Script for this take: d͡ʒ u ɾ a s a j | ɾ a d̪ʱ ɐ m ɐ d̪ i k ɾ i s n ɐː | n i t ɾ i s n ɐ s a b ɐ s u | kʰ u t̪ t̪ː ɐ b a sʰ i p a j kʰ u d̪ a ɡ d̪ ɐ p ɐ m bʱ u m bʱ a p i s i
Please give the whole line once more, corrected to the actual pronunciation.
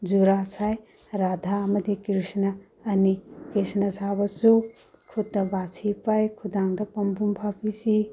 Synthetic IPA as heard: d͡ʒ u ɾ a s a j | ɾ a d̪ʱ a m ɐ d̪ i k ɾ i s n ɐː | n i k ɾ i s n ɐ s a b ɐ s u | kʰ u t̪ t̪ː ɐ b a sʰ i p a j kʰ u d̪ a ŋ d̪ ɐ p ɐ m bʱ u m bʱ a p i s i